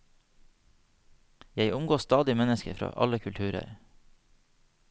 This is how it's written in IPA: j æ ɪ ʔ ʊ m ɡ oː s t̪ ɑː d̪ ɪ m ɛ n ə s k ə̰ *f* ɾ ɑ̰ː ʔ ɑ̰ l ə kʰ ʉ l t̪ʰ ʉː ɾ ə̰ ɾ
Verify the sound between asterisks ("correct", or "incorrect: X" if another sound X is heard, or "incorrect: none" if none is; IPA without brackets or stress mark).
correct